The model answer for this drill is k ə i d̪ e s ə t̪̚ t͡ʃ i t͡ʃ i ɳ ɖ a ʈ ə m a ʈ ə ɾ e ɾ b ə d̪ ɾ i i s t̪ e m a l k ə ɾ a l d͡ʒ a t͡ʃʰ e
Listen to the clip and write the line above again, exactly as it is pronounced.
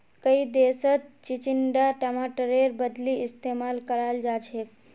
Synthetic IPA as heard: k ə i d̪ e s ə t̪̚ t͡ʃ i t͡ʃ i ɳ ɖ a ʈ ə m a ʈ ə ɾ e ɾ b ə d̪ l i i s t̪ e m a l k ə ɾ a l d͡ʒ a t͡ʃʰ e

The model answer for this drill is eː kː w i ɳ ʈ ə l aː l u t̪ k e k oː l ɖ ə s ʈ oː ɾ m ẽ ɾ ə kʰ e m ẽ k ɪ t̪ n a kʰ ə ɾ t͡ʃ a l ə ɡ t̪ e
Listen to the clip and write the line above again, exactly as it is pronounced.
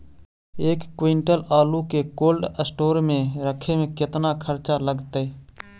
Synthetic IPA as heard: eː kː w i ɳ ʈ ə l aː l u k e k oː l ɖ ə s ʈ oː ɾ m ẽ ɾ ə kʰ e m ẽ k ɪ t̪ n a kʰ ə ɾ t͡ʃ a l ə ɡ t̪ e

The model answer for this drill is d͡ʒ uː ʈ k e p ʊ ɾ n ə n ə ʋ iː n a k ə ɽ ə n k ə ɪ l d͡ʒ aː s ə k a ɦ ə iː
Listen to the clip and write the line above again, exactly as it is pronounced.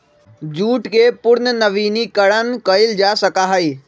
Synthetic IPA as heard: d͡ʒ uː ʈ k e p ʊ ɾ n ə n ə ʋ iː n i k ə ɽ ə n k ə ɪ l d͡ʒ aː s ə k a ɦ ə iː

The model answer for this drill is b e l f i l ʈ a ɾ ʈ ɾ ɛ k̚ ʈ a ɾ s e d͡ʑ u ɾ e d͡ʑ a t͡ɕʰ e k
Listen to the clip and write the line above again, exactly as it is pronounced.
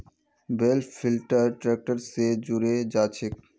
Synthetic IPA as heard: b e l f i l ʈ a ɾ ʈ ɾ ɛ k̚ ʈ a ɾ s e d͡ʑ u ɾ e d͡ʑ a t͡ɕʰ e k

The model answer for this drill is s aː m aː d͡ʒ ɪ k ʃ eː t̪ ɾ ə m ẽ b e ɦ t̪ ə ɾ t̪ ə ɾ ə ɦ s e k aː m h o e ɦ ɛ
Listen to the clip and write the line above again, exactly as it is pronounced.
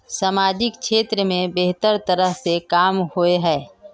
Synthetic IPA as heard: s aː m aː d͡ʒ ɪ k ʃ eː t̪ ɾ ə m ẽ b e ɦ t̪ ə ɾ t̪ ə ɾ ə ɦ s e k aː m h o e ɦ ɛː

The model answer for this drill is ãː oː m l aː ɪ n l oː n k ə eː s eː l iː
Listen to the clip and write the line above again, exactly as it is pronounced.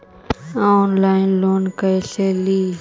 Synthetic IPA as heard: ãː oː n l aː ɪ n l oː n k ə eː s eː l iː

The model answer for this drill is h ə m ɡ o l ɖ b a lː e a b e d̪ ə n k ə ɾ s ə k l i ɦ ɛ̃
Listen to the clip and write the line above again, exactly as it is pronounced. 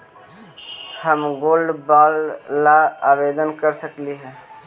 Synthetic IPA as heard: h ə m ɡ o l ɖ b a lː a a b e d̪ ə n k ə ɾ s ə k l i ɦ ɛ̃

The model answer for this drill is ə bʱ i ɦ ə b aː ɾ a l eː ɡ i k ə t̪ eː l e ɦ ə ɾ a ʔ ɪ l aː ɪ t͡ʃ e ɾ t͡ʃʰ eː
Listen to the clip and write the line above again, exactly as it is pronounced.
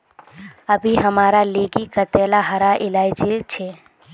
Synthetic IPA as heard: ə bʱ i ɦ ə m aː ɾ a l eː ɡ i k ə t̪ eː l a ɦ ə ɾ a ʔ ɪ l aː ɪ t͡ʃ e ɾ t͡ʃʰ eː

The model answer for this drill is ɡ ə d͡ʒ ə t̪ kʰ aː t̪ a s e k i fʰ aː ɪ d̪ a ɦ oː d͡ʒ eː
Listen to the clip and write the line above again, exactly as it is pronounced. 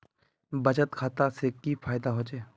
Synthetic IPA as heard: b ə d͡ʒ ə t̪ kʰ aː t̪ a s e k i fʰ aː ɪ d̪ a ɦ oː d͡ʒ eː

